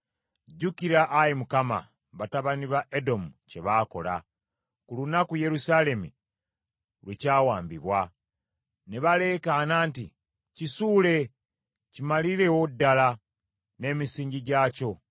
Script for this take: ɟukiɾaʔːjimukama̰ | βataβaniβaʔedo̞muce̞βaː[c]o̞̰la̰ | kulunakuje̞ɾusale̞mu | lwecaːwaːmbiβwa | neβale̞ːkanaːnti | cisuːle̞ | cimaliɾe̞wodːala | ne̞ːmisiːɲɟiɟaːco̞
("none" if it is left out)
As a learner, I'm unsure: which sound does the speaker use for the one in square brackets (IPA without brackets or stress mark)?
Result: k